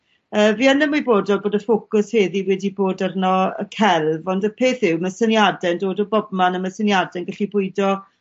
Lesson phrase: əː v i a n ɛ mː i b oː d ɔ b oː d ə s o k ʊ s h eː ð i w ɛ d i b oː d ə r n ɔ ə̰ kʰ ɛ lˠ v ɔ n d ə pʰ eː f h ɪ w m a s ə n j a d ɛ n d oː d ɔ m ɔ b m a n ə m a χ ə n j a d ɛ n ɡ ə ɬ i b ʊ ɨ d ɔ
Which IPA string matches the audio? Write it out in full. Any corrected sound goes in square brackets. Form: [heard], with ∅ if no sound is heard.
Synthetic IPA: əː v i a n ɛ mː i b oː d ɔ b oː d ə [f] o k ʊ s h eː ð i w ɛ d i b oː d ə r n ɔ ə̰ kʰ ɛ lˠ v ɔ n d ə pʰ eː [θ] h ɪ w m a s ə n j a d ɛ n d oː d ɔ [b] ɔ b m a n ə m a [s] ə n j a d ɛ n ɡ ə ɬ i b ʊ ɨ d ɔ